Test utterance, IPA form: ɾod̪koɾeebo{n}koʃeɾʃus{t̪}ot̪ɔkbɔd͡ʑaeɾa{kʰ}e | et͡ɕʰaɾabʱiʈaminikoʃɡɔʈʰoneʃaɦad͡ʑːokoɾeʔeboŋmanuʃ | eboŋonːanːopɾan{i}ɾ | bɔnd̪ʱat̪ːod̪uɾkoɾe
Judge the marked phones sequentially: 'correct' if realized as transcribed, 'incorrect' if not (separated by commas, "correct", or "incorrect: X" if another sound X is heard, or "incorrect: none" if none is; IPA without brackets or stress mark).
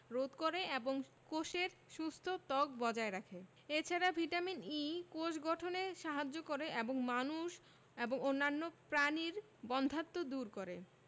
incorrect: ŋ, incorrect: t̪ʰ, correct, correct